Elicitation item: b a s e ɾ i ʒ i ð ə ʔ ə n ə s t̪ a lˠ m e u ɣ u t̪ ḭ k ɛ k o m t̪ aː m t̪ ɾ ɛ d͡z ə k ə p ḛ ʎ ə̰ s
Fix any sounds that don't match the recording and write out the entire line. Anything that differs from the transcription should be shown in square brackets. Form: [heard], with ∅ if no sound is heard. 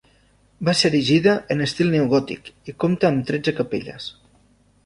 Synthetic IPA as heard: b a s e ɾ i ʒ i ð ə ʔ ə n ə s t̪ [i] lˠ [n] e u ɣ [ɔ] t̪ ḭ k [i] k o m t̪ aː m t̪ ɾ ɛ d͡z ə k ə p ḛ ʎ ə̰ s